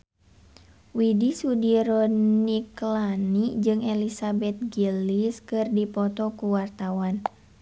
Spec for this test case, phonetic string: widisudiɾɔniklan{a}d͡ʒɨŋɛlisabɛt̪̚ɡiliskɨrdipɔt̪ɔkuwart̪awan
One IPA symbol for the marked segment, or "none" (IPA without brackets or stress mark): i